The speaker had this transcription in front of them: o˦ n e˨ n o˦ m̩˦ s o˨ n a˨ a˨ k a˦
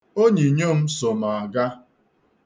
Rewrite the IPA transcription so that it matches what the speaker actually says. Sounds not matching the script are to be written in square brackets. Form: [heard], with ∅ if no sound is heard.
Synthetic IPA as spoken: o˦ [ɲ] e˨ [ɲ] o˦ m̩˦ s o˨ [m] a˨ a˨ [ɡ] a˦

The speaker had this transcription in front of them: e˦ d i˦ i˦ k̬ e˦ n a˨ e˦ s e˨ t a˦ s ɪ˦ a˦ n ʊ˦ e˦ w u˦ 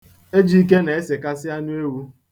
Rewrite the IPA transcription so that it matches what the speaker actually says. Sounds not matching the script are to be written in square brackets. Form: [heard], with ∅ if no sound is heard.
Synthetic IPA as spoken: e˦ [d͡ʒ] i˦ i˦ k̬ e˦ n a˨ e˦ s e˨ [k] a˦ s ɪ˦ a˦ n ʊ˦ e˦ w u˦

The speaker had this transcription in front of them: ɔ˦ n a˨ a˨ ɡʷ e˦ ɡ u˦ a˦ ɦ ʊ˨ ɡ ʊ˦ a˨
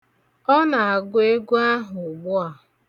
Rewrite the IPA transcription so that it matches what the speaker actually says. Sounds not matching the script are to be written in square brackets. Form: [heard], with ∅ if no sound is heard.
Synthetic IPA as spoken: ɔ˦ n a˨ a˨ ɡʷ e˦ ɡ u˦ a˦ ɦ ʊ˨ [ɡ͡b] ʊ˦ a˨

